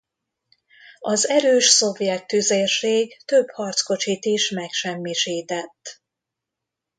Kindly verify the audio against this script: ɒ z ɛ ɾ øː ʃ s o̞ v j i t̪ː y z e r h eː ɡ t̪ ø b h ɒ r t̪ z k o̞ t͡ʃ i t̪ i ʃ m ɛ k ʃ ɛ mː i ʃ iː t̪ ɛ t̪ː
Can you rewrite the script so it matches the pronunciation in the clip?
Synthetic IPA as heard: ɒ z ɛ ɾ øː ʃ s o̞ v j ɛ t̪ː y z e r ʃ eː ɡ t̪ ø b h ɒ r t̪ s k o̞ t͡ʃ i t̪ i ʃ m ɛ k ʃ ɛ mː i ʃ iː t̪ ɛ t̪ː